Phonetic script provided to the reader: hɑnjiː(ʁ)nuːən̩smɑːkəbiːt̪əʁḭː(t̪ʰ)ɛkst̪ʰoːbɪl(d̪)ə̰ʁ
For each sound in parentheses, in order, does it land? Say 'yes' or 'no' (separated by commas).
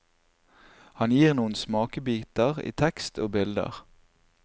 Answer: yes, yes, yes